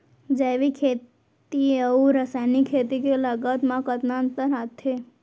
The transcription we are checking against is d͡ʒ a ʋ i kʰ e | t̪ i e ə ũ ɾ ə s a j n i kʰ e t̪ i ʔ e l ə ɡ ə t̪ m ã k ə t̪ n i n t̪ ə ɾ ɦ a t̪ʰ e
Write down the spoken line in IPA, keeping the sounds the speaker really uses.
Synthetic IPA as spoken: d͡ʒ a ʋ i kʰ e | t̪ i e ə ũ ɾ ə s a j n i kʰ e t̪ i k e l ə ɡ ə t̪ m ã k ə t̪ n a n t̪ ə ɾ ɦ a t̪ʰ e